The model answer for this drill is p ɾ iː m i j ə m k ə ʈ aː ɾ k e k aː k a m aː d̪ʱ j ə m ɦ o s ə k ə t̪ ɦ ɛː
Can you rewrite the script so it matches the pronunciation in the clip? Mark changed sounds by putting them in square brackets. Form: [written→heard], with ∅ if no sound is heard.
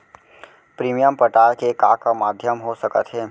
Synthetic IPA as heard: p ɾ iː m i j ə m [k→p] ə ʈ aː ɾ k e k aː k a m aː d̪ʱ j ə m ɦ o s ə k ə t̪ ɦ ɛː